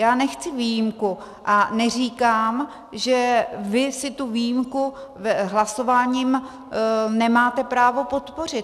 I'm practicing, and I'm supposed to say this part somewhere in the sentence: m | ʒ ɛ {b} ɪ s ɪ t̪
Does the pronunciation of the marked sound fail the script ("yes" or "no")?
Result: yes